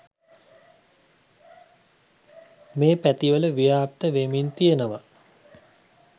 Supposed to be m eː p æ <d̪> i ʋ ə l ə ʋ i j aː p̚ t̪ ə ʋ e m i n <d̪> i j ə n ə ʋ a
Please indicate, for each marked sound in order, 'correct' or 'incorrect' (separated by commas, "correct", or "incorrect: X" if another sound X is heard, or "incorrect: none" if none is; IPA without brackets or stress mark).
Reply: incorrect: t̪, incorrect: t̪